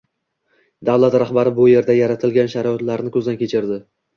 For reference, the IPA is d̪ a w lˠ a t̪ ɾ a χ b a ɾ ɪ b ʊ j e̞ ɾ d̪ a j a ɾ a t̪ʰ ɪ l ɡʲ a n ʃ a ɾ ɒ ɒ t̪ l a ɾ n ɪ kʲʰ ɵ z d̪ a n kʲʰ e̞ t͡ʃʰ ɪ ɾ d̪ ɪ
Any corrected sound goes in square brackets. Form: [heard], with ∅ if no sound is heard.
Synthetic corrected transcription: d̪ a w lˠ a t̪ ɾ a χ b a ɾ ɪ b ʊ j e̞ ɾ d̪ a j a ɾ a t̪ʰ ɪ l ɡʲ a n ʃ a ɾ ɒ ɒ t̪ l a ɾ n ɪ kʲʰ ɵ z d̪ a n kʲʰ e̞ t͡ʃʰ ɪ ɾ d̪ ɪ